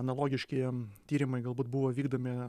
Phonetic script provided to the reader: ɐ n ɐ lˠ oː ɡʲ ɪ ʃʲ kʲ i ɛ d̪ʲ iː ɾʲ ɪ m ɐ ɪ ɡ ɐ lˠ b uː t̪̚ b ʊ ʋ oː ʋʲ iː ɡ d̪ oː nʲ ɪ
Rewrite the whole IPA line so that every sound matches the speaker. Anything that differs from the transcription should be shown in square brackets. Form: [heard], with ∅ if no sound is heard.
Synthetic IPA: ɐ n ɐ lˠ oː ɡʲ ɪ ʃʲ kʲ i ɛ [t̪ʲ] iː ɾʲ ɪ m ɐ ɪ ɡ ɐ lˠ b uː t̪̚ b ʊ ʋ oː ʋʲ iː ɡ d̪ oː [mʲ] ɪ